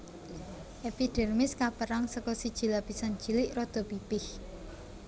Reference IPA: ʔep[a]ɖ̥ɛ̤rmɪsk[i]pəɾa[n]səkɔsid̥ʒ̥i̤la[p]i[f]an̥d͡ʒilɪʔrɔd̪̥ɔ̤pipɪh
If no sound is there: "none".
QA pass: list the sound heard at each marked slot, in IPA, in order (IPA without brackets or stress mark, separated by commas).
i, a, ŋ, p, s